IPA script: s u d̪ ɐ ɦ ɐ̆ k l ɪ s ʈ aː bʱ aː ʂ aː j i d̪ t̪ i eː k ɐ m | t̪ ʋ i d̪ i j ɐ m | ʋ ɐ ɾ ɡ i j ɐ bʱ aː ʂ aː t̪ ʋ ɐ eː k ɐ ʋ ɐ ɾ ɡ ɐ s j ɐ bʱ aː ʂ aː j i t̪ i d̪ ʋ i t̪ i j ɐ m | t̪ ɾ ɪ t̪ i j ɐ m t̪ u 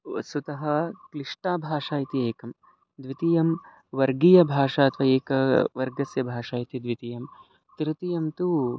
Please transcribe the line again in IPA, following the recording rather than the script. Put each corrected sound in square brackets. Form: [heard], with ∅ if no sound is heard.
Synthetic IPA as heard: s u [t̪] ɐ ɦ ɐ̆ k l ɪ [ʂ] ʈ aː bʱ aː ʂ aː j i [∅] t̪ i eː k ɐ m | [d̪] ʋ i [t̪] i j ɐ m | ʋ ɐ ɾ ɡ i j ɐ bʱ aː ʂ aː t̪ ʋ ɐ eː k ɐ ʋ ɐ ɾ ɡ ɐ s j ɐ bʱ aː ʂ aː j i t̪ i d̪ ʋ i t̪ i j ɐ m | t̪ ɾ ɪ t̪ i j ɐ m t̪ u